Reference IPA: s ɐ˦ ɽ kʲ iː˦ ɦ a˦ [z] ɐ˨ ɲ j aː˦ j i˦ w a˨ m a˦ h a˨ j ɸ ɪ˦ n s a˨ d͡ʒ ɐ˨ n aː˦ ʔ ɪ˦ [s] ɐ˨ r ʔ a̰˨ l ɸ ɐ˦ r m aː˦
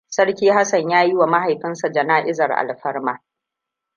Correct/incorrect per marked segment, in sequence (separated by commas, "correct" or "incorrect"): incorrect, incorrect